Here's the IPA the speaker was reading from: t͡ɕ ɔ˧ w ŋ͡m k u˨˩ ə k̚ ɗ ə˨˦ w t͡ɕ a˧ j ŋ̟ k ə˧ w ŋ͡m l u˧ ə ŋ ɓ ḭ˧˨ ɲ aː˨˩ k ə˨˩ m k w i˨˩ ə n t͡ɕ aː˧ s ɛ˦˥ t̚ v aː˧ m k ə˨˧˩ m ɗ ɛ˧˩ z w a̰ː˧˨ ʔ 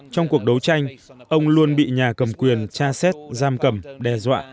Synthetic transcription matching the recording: t͡ɕ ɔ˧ w ŋ͡m k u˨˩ ə k̚ ɗ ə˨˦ w t͡ɕ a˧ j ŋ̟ ʔ ə˧ w ŋ͡m l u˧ ə n ɓ ḭ˧˨ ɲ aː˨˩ k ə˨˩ m k w i˨˩ ə n t͡ɕ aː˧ s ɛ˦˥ t̚ z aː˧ m k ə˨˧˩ m ɗ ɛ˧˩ z w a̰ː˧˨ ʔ